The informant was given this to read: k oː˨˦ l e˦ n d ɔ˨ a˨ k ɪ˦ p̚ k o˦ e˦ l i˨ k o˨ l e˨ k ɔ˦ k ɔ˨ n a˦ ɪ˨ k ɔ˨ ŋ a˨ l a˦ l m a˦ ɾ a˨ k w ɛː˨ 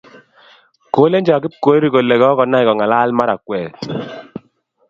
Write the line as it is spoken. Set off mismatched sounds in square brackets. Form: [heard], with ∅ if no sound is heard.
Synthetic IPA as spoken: k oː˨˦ l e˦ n [d͡ʒ] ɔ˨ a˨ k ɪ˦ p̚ k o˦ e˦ [ɾ] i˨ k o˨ l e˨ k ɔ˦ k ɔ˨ n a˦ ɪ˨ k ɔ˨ ŋ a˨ l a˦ l m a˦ ɾ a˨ k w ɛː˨